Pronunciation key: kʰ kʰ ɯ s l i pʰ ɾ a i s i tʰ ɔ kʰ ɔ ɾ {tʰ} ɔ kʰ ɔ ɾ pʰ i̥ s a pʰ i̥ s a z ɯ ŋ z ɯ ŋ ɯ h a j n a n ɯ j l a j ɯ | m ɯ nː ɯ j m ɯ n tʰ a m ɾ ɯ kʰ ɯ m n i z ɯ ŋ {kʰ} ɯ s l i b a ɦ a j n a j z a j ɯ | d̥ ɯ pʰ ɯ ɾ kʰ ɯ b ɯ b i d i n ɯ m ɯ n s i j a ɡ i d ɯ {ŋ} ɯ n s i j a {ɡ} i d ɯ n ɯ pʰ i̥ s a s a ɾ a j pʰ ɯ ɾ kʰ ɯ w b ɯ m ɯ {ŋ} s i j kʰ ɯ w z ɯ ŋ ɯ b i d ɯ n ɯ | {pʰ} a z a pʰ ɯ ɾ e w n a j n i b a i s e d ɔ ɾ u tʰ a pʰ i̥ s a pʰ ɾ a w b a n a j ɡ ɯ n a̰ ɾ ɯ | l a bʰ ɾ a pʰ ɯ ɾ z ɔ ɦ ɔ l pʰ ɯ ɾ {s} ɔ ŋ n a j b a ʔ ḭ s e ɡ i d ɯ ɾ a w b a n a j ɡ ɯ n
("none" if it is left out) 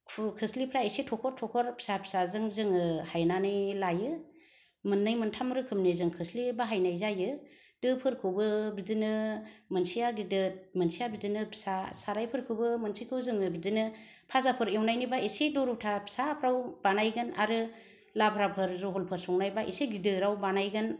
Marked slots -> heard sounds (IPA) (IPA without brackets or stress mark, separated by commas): tʰ, kʰ, m, b, n, pʰ, s